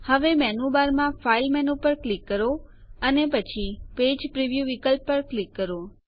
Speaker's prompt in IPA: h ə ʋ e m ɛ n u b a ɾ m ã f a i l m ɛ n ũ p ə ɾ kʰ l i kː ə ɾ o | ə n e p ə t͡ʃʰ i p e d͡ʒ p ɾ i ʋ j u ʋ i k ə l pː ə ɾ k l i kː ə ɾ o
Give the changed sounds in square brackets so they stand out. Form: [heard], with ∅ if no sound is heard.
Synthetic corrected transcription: h ə ʋ e m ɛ n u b a ɾ m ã f a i l m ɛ n [u] p ə ɾ [k] l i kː ə ɾ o | ə n e p ə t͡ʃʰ i p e d͡ʒ p ɾ i ʋ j u ʋ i k ə l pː ə ɾ k l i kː ə ɾ o